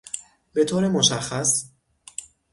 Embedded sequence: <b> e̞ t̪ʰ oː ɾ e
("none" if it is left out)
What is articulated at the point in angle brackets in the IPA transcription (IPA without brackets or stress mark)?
b